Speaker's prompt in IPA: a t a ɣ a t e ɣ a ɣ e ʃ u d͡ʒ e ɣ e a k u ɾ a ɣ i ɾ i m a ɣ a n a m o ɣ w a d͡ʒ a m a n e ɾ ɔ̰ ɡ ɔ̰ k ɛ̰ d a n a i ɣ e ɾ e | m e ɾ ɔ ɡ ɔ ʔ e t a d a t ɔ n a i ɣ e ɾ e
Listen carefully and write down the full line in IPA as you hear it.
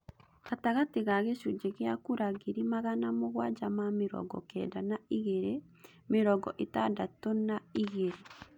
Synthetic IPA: a t a ɣ a t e ɣ a ɣ e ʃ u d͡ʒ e ɣ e a k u ɾ a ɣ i ɾ i m a ɣ a n a m o ɣ w a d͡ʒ a m a m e ɾ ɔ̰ ɡ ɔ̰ k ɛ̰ d a n a i ɣ e ɾ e | m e ɾ ɔ ɡ ɔ ʔ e t a d a t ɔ n a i ɣ e ɾ e